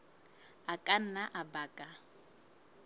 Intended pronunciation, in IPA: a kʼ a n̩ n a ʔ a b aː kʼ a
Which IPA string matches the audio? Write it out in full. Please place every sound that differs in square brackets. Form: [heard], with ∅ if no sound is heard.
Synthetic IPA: a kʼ a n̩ n a ʔ a b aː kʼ a